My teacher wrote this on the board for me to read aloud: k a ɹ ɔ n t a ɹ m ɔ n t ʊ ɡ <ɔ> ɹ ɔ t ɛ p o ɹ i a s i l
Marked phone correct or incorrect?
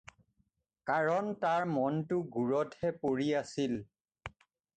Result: incorrect